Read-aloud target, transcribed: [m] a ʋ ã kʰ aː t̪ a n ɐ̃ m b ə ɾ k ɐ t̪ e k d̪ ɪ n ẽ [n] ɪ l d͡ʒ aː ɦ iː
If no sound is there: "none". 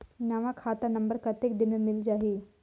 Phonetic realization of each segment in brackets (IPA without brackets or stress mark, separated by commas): n, m